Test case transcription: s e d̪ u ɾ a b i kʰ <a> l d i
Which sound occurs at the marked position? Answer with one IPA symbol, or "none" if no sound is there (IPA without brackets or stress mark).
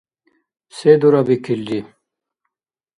i